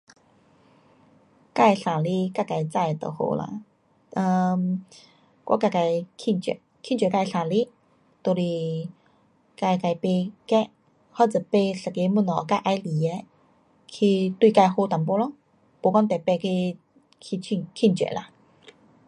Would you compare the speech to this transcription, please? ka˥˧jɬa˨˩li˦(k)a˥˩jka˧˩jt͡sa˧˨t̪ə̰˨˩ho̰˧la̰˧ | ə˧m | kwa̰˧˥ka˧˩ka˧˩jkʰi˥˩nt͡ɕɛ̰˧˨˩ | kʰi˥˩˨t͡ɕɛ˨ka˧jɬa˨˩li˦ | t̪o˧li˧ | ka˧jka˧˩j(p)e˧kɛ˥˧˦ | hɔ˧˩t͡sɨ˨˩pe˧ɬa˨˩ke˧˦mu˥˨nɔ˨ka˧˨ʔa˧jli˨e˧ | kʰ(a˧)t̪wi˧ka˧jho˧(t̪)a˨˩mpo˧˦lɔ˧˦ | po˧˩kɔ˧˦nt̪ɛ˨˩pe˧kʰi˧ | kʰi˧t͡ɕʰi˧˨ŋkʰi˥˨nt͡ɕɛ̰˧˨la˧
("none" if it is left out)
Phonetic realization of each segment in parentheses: k, p, i˧, t̪

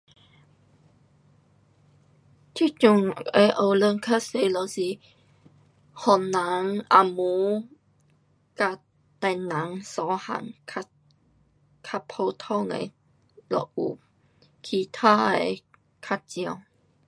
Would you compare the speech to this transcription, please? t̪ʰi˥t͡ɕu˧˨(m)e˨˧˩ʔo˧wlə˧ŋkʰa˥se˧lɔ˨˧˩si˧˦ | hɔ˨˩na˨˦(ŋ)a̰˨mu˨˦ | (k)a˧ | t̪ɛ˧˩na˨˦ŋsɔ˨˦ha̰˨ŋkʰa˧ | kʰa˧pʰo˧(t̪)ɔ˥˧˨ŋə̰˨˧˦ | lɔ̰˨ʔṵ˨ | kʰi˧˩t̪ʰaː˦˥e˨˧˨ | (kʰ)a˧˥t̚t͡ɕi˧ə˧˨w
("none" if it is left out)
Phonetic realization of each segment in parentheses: ŋ, ŋ, k, t̪ʰ, kʰ

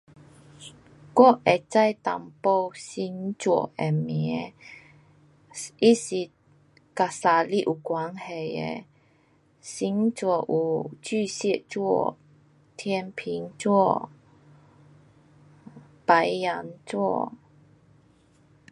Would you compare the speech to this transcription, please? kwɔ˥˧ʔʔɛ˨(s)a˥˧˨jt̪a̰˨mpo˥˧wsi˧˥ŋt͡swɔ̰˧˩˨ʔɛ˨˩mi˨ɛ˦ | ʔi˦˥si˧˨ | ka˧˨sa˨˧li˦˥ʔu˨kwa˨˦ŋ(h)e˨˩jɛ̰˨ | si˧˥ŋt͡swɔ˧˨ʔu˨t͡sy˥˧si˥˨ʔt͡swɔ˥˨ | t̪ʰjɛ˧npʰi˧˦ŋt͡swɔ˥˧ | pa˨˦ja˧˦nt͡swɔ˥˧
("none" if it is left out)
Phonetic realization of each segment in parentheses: t͡s, h

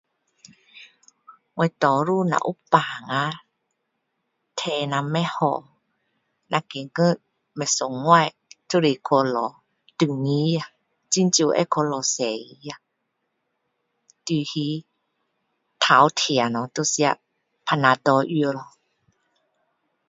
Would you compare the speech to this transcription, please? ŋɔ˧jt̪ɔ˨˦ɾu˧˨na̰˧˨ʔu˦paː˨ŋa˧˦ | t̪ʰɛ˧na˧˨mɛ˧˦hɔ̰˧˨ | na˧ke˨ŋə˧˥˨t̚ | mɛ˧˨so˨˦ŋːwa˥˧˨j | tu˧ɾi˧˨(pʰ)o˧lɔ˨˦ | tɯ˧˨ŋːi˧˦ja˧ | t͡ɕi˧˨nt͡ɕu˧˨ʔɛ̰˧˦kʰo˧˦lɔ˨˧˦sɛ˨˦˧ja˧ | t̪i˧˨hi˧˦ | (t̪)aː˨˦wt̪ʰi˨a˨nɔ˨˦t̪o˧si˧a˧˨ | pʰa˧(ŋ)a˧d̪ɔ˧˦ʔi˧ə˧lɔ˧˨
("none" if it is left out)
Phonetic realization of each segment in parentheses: kʰ, t̪ʰ, n

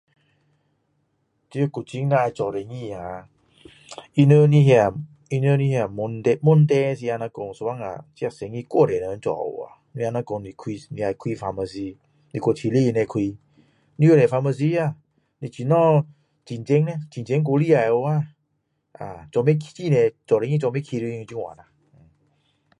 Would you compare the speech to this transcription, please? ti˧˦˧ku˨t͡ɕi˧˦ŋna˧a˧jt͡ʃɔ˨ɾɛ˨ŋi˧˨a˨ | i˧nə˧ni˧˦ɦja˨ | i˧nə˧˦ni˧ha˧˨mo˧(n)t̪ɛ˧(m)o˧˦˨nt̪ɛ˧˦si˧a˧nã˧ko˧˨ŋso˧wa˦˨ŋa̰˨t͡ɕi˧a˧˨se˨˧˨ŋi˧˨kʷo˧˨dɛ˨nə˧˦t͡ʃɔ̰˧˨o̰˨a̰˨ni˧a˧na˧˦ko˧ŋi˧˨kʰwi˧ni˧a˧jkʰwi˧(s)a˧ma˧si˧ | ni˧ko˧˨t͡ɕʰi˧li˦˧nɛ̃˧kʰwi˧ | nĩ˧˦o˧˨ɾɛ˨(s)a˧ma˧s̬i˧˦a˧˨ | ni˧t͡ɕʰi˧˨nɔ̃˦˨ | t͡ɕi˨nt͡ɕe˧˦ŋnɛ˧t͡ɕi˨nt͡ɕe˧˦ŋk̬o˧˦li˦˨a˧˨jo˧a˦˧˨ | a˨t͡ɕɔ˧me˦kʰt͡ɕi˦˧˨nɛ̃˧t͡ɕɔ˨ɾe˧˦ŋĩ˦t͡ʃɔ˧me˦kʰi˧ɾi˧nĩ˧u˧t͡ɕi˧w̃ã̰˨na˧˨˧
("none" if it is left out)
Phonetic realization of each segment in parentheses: n, m, f, f

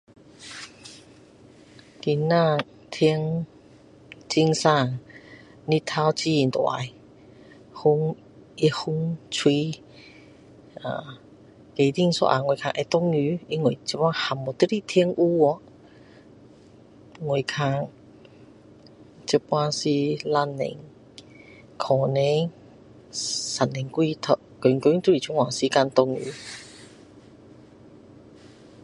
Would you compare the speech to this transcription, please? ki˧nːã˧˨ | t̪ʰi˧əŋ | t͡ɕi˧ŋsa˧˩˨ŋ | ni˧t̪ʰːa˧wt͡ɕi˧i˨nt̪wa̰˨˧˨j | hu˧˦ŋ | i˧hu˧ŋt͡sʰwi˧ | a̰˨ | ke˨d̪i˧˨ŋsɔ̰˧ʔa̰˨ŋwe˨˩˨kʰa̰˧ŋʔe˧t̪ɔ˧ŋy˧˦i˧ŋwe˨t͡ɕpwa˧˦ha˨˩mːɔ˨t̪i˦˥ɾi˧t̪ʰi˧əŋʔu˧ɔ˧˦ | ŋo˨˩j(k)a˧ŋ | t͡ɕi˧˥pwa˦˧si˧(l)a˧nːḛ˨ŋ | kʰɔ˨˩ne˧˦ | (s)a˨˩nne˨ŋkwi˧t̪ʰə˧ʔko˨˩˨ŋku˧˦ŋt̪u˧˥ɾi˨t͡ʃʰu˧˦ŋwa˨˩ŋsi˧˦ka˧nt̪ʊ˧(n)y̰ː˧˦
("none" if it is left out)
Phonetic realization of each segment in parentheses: kʰ, l, s, ŋ

